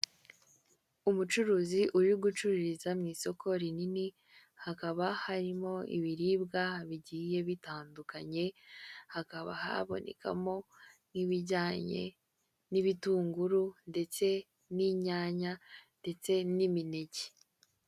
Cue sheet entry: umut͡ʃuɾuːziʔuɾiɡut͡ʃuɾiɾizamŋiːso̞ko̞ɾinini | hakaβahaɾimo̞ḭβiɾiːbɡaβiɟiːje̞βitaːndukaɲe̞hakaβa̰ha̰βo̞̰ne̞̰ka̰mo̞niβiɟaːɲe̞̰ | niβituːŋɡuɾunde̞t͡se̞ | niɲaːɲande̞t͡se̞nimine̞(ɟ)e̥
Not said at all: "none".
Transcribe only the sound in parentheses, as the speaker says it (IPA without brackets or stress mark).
ɟ